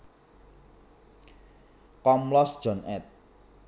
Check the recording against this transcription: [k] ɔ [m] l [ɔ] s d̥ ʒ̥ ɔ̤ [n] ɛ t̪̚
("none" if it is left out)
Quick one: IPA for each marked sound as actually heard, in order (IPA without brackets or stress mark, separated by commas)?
k, m, ɔ, n